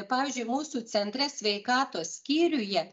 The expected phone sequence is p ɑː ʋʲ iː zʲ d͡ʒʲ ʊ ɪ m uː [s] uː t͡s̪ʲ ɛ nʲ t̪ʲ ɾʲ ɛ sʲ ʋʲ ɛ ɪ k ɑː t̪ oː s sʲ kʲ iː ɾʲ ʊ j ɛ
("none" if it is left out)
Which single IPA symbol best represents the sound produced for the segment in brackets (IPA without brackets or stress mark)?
s